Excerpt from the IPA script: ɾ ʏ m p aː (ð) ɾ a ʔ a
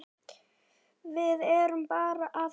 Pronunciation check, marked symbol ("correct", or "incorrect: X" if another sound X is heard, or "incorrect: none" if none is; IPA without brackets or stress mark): incorrect: none